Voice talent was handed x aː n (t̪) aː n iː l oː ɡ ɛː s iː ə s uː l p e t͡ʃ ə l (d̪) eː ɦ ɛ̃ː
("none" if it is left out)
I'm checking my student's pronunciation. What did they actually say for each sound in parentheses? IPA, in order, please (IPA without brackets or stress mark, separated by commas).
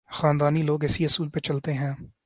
d̪, t̪